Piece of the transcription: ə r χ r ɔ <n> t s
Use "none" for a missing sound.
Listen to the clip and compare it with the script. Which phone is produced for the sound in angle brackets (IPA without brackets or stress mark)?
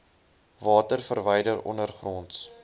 n